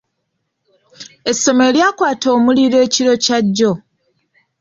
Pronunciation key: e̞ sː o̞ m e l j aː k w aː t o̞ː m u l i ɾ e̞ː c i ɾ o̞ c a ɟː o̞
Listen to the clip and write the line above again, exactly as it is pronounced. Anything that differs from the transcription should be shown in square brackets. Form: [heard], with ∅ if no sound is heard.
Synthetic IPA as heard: e̞ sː o̞ m e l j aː k w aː t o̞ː m u l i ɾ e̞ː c i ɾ o̞ c a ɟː o̞